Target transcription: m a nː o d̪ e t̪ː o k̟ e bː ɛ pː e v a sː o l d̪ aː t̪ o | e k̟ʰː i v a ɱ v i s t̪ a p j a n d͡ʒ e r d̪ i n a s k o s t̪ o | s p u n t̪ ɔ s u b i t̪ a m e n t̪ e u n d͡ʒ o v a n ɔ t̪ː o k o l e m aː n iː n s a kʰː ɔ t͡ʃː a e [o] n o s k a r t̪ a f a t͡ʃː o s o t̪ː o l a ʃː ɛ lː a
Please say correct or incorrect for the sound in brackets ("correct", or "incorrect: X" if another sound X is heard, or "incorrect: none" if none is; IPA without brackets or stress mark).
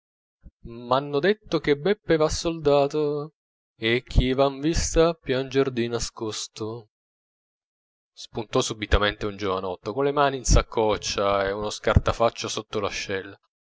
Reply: incorrect: u